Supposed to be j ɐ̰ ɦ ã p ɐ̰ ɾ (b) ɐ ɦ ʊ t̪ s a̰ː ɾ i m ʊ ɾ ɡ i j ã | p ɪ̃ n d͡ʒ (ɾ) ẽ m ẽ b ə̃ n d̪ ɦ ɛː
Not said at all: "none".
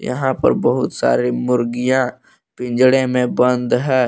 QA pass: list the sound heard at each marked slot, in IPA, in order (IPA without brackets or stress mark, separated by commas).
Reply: b, ɽ